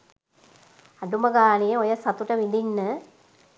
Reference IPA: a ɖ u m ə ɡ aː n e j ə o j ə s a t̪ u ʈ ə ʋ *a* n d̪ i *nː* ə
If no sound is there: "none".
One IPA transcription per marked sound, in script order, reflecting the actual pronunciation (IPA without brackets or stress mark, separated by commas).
i, nː